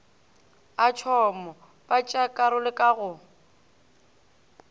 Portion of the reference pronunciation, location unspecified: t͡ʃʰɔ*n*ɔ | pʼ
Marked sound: incorrect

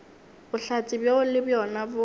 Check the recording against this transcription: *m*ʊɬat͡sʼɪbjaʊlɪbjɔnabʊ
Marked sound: incorrect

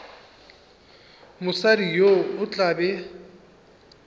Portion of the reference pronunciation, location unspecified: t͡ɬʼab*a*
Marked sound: incorrect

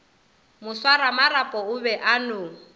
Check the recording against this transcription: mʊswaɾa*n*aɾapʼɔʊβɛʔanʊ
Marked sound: incorrect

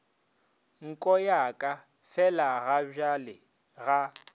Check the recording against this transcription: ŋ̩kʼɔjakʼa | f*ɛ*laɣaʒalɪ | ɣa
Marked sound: correct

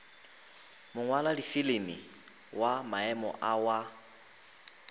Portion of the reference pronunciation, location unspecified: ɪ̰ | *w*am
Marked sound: correct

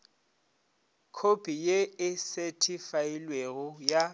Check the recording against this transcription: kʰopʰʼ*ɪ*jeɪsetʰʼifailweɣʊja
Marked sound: incorrect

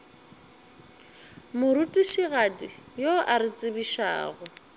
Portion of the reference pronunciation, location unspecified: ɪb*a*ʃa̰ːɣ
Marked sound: incorrect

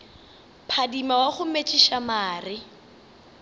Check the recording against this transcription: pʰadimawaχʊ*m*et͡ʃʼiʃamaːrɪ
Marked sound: correct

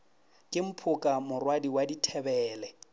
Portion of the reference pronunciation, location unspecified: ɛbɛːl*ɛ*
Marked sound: correct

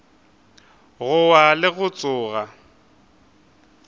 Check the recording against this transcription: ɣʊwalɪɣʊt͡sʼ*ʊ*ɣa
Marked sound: incorrect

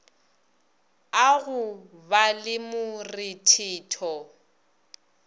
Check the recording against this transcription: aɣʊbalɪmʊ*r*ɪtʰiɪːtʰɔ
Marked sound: correct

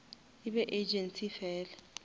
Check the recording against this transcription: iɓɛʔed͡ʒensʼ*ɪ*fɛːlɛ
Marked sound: incorrect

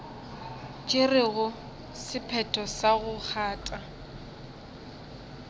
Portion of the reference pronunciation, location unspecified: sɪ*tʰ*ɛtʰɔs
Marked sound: incorrect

